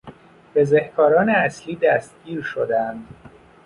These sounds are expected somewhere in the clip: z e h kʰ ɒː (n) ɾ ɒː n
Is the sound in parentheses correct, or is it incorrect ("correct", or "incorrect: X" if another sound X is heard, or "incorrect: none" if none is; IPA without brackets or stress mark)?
incorrect: none